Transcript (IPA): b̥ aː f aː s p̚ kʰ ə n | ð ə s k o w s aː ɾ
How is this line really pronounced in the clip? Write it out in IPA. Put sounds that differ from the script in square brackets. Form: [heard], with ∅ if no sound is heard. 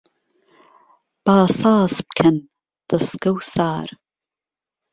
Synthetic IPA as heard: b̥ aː [s] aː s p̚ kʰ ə n | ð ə s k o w s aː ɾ